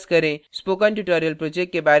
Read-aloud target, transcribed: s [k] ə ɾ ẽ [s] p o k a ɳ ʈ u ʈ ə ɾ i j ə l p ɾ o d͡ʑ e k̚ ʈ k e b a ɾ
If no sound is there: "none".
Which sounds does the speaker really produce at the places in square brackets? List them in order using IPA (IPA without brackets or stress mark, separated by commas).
k, s